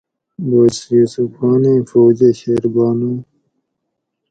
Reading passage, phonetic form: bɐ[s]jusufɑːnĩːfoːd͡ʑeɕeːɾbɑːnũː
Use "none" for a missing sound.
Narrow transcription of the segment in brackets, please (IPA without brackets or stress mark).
s